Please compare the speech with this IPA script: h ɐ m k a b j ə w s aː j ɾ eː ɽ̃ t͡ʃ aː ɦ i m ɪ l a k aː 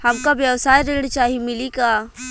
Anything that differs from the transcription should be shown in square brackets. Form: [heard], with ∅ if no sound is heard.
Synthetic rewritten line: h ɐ m k a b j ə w s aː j ɾ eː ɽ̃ t͡ʃ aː ɦ i m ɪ l [i] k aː